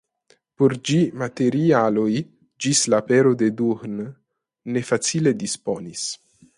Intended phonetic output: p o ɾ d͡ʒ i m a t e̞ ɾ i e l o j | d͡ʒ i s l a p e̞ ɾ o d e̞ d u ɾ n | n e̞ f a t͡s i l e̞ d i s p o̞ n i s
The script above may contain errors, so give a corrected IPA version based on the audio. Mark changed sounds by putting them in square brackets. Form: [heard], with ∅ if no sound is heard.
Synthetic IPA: p o ɾ d͡ʒ i m a t e̞ ɾ i [a] l o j | d͡ʒ i s l a p e̞ ɾ o d e̞ d u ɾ n | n e̞ f a t͡s i l e̞ d i s p o̞ n i s